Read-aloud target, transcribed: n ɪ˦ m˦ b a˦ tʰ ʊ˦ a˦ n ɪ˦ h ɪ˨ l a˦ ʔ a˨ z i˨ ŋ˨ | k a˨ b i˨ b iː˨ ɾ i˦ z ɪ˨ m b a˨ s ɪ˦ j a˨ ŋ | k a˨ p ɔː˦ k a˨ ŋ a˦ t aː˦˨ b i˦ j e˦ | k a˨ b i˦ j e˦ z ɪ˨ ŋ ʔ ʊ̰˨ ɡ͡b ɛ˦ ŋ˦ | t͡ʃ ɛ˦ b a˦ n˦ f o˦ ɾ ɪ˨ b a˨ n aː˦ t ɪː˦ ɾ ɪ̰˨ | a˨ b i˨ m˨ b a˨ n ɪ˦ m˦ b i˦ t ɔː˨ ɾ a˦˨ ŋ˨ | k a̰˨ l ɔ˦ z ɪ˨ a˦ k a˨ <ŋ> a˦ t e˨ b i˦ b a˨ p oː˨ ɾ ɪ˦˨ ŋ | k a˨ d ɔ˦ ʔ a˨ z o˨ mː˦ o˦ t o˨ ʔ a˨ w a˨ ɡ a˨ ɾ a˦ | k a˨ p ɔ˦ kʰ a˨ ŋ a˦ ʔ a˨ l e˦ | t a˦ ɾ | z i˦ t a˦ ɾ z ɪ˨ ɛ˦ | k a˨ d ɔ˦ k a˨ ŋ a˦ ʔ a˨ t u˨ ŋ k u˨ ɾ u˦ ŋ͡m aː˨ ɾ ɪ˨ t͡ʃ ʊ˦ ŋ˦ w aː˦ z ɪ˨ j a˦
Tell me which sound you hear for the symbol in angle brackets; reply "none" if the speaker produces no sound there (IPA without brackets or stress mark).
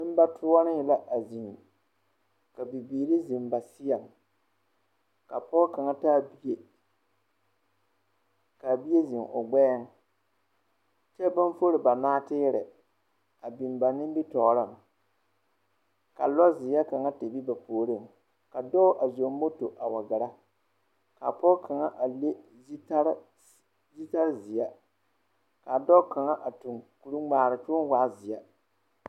ŋ